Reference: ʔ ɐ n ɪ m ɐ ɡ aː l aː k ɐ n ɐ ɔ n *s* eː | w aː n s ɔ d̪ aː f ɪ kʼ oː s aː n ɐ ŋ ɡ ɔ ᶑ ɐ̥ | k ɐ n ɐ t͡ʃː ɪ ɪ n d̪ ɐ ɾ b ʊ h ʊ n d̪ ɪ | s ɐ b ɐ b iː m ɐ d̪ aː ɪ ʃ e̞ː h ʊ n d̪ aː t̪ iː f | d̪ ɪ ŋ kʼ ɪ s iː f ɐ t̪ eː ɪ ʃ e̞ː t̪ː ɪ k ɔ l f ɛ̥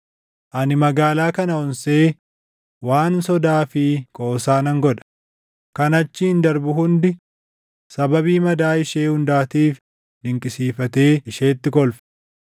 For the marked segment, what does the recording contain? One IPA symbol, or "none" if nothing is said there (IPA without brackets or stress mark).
s